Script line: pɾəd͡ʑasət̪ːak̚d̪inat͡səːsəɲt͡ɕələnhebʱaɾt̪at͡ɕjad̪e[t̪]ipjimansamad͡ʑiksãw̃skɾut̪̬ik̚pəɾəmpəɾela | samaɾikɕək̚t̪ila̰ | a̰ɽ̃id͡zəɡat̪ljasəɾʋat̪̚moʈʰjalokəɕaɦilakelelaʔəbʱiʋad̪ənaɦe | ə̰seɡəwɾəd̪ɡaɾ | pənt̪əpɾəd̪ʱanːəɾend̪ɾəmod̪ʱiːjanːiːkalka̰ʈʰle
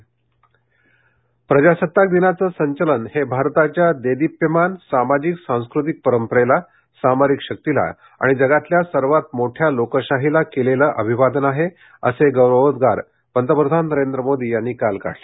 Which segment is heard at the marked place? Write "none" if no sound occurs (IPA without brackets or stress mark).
d̪